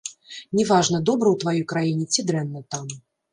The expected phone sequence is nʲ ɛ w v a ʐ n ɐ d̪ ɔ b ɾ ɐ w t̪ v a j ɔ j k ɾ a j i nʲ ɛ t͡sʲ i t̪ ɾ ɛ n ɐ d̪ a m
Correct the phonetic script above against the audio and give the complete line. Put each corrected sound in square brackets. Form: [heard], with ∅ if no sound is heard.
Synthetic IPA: nʲ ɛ [∅] v a ʐ n ɐ d̪ ɔ b ɾ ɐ w t̪ v a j ɔ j k ɾ a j i nʲ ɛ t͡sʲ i [d̪] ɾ ɛ [nː] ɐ [t̪] a m